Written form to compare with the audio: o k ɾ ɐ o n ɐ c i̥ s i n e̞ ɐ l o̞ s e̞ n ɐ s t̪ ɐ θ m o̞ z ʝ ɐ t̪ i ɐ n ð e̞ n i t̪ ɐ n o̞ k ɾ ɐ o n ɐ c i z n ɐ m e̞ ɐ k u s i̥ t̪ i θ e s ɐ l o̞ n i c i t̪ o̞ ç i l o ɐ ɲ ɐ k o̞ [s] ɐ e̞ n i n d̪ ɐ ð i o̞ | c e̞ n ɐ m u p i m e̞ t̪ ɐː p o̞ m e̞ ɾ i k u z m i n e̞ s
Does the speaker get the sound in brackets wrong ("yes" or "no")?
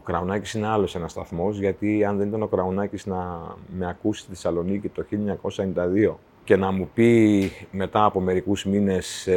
no